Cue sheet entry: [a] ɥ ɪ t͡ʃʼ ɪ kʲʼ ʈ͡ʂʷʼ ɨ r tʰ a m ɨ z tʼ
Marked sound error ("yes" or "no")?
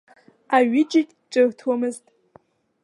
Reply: no